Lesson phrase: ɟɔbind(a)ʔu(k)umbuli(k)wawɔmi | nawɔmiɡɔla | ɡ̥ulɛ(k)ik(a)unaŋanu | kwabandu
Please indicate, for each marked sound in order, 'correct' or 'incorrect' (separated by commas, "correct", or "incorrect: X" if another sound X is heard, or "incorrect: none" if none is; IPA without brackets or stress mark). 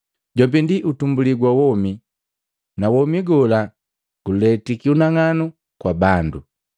incorrect: i, incorrect: t, incorrect: ɡ, incorrect: t, incorrect: i